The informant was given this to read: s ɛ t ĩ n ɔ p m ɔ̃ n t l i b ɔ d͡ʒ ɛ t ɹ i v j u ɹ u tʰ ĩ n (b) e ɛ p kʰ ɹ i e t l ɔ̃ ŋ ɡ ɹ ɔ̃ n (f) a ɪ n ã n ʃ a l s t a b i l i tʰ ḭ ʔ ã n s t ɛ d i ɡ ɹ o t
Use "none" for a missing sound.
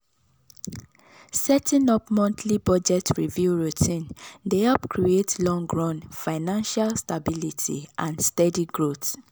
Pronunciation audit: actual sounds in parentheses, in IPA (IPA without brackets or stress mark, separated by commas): d, f